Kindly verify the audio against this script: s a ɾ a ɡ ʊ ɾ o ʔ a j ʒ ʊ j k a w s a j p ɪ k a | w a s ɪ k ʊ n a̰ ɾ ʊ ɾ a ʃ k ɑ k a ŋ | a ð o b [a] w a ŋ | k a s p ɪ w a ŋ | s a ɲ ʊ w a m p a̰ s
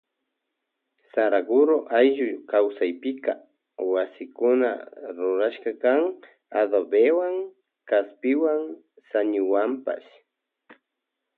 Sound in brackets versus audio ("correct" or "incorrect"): incorrect